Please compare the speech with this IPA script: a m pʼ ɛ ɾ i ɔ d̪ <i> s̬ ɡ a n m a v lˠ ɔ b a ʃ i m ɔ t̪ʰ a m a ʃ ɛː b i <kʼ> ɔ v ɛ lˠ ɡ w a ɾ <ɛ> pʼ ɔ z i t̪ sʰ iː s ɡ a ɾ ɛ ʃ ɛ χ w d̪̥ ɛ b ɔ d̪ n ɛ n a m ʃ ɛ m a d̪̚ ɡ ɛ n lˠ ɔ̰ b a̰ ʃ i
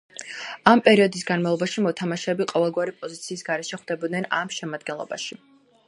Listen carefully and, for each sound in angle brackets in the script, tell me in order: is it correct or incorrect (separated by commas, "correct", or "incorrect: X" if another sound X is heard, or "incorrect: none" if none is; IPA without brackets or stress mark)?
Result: correct, incorrect: qʼ, incorrect: i